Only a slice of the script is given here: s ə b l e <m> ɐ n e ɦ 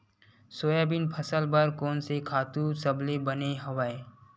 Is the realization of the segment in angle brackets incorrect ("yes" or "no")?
yes